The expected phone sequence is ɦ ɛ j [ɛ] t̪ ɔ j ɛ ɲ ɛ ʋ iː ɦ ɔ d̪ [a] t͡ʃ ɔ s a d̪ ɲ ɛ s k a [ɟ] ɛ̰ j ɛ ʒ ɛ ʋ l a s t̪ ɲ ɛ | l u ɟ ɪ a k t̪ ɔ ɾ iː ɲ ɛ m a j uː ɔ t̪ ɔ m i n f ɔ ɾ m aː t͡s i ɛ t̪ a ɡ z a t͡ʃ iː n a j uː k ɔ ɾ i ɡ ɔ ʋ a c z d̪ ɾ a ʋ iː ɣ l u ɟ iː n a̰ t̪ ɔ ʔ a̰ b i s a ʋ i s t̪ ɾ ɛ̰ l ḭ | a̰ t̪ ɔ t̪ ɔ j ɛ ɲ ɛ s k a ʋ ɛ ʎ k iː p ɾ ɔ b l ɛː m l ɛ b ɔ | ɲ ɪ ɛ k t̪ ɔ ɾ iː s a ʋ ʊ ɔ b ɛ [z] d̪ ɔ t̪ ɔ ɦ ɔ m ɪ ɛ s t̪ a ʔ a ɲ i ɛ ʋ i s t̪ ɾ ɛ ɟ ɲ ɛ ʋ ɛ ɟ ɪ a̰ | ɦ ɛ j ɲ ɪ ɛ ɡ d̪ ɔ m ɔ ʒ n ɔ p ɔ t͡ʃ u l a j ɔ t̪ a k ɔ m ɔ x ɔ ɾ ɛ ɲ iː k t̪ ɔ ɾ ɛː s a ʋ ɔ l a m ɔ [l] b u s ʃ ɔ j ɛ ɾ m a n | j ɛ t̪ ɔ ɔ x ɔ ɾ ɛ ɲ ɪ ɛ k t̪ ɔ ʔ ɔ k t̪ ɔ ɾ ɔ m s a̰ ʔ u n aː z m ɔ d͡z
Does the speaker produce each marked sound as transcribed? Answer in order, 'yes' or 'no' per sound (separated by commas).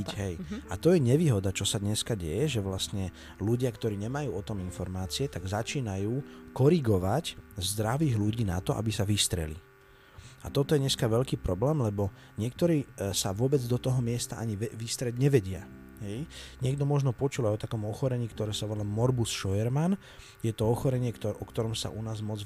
no, yes, yes, no, no